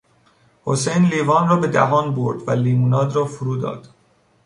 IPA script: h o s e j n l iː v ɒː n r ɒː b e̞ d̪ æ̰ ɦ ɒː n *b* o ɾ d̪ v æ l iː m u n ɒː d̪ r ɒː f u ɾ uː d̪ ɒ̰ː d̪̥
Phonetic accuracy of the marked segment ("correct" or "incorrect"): correct